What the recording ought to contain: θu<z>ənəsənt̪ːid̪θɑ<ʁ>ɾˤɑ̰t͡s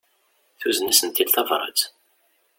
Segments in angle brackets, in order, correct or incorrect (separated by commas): correct, incorrect